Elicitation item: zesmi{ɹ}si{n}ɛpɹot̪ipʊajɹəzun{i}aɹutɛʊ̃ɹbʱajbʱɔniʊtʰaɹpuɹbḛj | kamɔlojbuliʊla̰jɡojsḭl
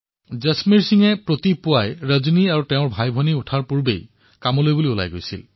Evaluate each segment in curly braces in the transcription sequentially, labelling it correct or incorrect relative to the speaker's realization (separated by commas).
correct, incorrect, correct